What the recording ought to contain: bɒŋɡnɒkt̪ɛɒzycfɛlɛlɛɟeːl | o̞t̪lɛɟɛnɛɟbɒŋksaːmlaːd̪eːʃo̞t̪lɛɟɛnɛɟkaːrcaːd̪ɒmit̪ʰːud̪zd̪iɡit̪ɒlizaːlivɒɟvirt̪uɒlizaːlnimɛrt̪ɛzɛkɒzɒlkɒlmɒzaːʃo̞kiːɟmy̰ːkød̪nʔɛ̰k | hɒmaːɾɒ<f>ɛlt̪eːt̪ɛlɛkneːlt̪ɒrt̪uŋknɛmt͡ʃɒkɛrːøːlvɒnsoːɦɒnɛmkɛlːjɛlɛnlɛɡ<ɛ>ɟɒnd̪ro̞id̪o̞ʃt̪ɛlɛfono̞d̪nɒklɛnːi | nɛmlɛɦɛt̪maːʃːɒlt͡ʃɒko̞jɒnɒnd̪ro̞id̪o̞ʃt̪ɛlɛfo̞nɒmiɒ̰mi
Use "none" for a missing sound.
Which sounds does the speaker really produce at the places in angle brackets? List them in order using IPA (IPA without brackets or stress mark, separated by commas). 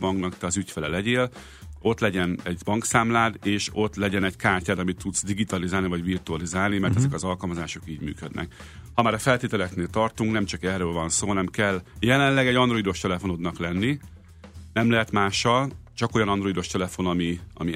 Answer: f, ɛ